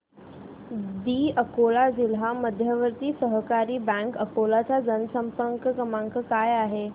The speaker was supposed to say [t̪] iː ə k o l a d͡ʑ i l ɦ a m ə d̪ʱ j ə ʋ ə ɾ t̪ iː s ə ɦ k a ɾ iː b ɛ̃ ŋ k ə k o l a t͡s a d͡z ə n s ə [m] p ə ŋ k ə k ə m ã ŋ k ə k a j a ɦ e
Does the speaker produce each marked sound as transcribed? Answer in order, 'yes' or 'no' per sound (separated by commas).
no, yes